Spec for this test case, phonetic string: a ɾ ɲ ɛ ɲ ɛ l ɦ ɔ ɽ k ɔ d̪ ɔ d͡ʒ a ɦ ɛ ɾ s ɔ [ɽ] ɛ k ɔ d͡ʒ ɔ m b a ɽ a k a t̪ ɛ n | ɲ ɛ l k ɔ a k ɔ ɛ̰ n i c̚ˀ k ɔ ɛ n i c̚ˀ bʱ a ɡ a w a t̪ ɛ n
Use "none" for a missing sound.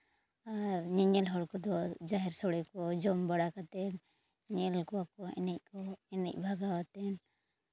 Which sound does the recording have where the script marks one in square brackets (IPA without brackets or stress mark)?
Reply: ɽ